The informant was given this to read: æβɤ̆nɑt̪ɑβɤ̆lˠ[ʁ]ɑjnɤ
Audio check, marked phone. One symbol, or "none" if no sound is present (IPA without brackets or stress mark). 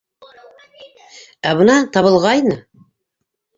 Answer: ʁ